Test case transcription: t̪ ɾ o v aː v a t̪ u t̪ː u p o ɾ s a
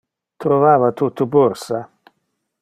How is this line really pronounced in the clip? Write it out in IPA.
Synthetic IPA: t̪ ɾ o v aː v a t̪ u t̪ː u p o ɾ s a